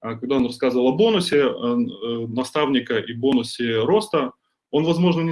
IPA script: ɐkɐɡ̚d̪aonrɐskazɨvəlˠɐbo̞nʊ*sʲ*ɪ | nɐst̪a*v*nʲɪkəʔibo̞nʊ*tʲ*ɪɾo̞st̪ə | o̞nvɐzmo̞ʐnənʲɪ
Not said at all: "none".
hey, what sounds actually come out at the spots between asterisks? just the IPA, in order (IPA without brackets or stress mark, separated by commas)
sʲ, v, sʲ